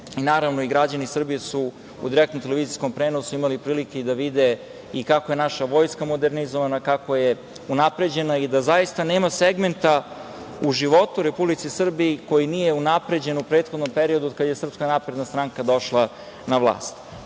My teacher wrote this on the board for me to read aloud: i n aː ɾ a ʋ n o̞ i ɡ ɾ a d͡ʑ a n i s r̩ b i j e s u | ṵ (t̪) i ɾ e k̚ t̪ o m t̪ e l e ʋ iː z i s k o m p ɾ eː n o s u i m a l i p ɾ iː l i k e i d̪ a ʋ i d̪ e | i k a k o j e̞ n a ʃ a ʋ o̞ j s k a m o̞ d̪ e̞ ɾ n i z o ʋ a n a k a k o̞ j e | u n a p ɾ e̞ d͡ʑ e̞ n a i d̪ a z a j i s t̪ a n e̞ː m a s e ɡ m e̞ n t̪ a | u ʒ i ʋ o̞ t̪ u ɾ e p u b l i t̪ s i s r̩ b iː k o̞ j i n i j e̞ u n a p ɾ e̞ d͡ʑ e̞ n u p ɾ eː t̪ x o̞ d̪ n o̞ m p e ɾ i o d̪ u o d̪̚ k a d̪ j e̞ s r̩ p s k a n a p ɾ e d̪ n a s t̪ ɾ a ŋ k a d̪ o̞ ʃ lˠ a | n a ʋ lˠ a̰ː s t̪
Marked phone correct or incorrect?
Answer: incorrect